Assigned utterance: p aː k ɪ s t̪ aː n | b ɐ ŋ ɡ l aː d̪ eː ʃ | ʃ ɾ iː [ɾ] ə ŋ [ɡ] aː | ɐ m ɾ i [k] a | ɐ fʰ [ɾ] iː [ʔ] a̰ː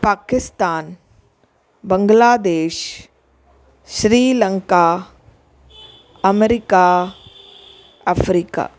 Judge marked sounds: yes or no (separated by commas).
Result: no, no, yes, yes, no